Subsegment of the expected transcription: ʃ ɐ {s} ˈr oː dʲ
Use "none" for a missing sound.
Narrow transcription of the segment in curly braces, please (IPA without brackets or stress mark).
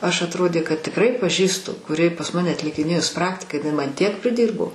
t